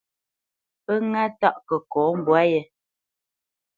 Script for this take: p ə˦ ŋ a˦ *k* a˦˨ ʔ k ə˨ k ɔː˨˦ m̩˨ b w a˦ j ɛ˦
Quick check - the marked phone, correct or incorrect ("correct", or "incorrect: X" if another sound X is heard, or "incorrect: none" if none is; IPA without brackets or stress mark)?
incorrect: t